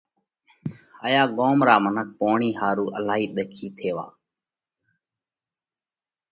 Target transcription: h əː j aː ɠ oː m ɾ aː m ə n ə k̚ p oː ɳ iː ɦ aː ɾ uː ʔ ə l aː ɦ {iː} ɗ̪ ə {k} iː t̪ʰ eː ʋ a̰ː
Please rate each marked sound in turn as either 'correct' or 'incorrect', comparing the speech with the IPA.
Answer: correct, incorrect: kʰ

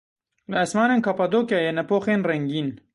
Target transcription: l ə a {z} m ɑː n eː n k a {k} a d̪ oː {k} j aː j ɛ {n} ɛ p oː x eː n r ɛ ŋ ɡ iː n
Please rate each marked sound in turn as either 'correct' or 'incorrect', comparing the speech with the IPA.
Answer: incorrect: s, incorrect: p, correct, correct

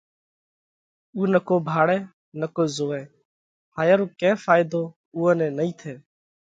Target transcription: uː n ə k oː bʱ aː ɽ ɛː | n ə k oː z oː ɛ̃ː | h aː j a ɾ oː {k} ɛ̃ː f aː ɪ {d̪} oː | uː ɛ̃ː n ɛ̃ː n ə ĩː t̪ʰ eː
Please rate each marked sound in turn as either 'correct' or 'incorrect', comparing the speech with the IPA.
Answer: correct, correct

